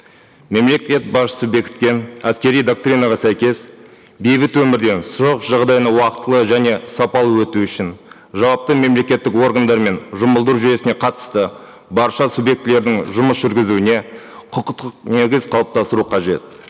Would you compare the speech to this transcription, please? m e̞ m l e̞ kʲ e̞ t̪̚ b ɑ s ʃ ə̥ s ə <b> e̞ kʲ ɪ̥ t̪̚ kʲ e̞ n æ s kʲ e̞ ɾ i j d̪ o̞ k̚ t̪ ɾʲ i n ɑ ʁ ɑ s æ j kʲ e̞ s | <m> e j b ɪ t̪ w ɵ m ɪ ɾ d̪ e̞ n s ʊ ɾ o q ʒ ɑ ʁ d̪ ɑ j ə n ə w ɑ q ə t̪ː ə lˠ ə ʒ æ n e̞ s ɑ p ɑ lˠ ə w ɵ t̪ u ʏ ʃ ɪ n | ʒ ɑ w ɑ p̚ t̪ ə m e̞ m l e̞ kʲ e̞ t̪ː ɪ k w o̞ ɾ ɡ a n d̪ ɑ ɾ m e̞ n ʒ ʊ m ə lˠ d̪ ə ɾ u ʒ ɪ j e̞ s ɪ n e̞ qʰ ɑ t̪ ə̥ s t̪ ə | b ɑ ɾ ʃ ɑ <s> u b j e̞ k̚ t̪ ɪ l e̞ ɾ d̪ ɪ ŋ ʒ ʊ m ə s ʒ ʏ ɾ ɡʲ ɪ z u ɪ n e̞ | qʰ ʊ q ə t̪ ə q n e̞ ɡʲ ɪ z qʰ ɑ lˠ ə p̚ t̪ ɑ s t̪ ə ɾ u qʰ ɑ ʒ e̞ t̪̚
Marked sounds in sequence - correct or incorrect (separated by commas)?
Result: correct, incorrect, correct